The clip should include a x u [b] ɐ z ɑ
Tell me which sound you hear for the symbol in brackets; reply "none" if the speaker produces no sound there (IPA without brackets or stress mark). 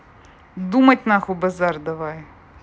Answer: b